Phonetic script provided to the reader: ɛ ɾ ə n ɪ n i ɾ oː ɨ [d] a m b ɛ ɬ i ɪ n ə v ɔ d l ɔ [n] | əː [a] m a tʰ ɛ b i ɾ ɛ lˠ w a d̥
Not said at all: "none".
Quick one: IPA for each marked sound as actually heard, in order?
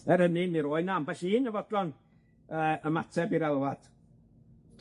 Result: n, n, ə

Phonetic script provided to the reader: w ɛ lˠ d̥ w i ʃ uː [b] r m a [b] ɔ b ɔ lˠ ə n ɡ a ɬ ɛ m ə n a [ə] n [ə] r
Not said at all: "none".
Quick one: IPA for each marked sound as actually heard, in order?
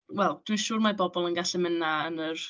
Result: none, b, ə, ə

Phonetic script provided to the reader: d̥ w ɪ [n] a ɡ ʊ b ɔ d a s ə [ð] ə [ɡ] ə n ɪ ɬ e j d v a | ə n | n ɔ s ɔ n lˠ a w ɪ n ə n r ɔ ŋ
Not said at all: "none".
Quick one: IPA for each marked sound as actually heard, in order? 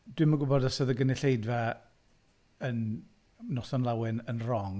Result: m, ð, ɡ

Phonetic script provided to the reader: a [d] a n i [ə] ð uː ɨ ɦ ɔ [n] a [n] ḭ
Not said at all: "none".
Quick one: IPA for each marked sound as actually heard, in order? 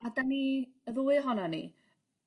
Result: d, ə, n, n

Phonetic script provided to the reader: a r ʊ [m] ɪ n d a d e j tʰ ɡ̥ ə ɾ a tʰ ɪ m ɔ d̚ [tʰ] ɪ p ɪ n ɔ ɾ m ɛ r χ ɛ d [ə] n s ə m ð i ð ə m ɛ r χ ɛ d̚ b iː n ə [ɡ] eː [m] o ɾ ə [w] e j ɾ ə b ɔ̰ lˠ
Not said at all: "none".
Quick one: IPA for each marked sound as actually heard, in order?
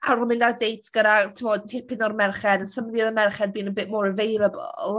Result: m, tʰ, ə, b, m, v

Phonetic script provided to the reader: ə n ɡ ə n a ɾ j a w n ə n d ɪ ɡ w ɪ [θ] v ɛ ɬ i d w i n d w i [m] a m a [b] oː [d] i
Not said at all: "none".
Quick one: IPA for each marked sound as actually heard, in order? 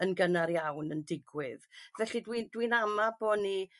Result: ð, n, b, n

